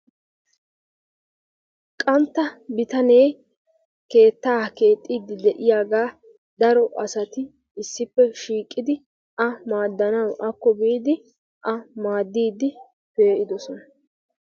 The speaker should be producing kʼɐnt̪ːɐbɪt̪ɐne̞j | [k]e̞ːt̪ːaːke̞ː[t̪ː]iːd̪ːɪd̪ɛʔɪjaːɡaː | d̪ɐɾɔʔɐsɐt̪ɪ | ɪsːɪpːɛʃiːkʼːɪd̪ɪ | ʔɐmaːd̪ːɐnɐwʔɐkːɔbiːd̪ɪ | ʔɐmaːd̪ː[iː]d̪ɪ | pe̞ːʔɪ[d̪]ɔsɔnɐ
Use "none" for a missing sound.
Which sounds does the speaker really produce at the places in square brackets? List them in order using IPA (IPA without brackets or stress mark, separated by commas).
k, t̪ʼː, iː, d̪